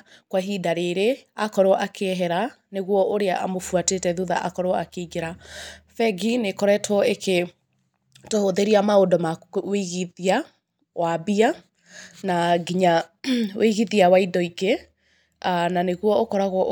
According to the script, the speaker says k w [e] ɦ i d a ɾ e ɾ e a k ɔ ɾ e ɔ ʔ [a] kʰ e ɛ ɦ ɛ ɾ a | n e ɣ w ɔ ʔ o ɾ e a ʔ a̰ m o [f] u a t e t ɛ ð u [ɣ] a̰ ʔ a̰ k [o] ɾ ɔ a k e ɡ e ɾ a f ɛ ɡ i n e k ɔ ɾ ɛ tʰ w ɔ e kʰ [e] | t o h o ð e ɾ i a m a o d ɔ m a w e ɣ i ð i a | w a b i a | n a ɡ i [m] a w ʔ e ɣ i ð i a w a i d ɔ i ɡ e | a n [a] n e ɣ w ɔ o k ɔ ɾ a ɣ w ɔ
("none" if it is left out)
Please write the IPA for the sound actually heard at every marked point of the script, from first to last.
a, a, f, ð, ɔ, e, ɲ, a

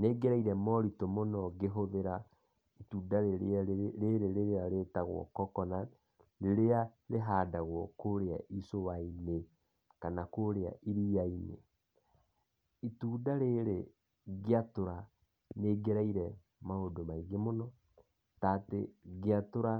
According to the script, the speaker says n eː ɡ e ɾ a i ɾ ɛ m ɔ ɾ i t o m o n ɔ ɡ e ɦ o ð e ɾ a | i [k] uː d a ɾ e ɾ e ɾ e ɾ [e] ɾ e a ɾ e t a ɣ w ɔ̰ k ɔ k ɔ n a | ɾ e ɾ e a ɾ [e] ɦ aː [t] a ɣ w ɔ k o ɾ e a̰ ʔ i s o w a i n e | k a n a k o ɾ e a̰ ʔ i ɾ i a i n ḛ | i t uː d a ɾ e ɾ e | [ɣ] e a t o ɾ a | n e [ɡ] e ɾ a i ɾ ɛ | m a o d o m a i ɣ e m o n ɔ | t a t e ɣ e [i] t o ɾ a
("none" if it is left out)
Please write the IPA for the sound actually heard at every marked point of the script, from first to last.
t, e, e, d, ɣ, ɡ, a

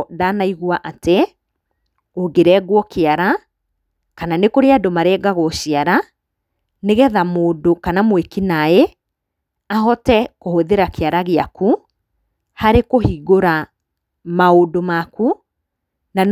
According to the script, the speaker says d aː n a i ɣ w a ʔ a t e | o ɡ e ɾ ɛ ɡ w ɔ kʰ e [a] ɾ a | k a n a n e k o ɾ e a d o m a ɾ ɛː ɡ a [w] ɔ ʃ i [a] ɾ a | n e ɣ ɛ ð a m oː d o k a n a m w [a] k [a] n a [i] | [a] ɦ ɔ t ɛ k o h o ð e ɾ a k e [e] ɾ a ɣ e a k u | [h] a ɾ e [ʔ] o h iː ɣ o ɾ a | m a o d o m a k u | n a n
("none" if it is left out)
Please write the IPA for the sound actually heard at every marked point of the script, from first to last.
a, ɣ, a, e, i, e, a, a, h, k

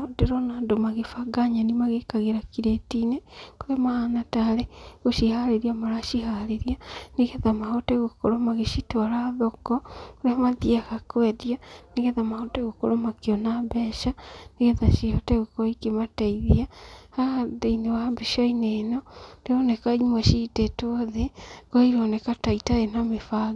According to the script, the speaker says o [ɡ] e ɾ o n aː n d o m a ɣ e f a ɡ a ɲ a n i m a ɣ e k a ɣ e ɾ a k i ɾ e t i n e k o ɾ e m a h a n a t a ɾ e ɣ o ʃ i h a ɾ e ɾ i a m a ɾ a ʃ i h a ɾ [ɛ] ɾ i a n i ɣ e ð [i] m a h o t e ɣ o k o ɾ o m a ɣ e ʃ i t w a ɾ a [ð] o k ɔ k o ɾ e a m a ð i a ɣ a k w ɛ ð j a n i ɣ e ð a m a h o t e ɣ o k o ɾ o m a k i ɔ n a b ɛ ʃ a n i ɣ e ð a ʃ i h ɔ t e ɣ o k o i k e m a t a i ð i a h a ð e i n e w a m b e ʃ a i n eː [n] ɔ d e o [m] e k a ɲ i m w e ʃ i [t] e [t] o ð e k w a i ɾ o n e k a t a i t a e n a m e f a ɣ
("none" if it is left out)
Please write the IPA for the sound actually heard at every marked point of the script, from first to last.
d, e, a, ð, n, n, t, t

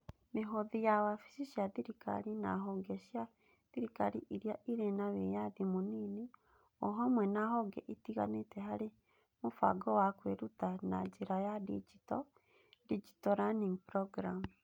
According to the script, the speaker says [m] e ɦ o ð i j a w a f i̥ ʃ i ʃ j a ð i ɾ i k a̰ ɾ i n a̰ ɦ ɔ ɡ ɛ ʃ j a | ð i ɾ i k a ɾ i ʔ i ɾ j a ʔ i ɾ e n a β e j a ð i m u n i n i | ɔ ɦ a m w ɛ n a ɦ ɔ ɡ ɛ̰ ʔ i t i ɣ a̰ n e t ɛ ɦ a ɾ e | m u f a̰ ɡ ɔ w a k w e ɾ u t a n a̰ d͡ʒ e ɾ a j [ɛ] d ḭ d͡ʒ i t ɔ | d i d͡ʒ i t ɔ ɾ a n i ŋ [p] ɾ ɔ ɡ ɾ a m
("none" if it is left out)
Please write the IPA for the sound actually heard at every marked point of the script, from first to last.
m, a, p

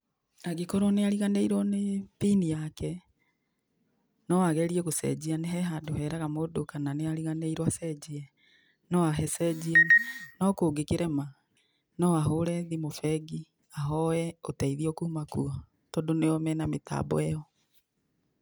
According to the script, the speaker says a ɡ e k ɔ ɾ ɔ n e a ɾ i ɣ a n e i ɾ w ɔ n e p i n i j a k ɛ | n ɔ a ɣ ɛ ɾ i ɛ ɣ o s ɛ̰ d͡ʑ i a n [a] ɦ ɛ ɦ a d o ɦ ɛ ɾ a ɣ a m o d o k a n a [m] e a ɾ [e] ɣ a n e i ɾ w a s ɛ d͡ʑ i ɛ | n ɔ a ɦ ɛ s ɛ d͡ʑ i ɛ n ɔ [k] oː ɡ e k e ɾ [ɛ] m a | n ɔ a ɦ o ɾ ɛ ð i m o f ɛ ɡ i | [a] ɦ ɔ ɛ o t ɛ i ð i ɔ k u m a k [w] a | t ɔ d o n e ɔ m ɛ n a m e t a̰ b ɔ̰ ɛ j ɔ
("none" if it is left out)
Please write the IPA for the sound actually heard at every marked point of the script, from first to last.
e, n, i, k, ɛ, a, u

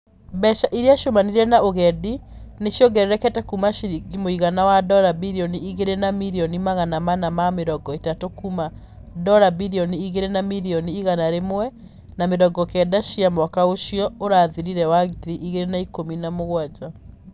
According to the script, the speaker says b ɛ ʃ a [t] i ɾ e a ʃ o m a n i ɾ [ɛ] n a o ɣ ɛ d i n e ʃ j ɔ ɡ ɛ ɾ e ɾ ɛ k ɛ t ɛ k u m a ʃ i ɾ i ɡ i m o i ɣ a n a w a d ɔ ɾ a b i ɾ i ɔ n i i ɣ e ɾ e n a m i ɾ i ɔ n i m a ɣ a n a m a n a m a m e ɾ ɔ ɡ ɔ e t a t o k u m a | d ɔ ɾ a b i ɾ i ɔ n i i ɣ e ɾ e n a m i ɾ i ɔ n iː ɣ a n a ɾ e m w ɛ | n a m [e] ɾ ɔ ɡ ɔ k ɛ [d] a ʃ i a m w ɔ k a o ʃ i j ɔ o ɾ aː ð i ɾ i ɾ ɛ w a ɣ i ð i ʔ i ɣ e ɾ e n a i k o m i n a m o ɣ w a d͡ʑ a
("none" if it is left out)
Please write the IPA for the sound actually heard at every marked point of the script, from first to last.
ʔ, ɛ, e, d

